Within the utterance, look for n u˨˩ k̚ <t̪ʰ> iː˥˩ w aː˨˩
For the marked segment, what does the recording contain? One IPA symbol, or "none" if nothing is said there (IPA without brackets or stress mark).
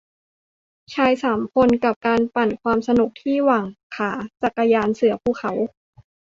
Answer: t̪ʰ